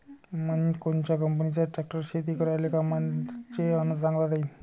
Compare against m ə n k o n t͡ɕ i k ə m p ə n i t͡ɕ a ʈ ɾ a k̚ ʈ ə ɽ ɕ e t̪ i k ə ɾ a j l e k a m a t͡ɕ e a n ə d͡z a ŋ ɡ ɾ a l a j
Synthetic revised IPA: m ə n k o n t͡ɕ a k ə m p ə n i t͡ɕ a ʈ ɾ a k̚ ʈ ə ɾ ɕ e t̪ i k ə ɾ a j l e k a m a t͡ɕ e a n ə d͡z a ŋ ɡ l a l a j